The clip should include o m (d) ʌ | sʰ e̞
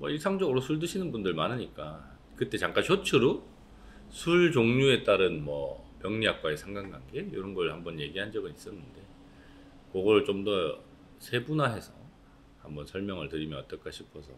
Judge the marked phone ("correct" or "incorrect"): correct